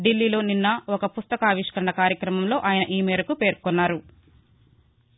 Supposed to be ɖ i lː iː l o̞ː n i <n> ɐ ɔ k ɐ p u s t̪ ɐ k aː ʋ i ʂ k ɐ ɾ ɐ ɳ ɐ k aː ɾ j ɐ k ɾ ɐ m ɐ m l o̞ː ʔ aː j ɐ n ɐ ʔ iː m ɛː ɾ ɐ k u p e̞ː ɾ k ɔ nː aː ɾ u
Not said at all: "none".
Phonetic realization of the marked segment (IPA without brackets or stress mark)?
nː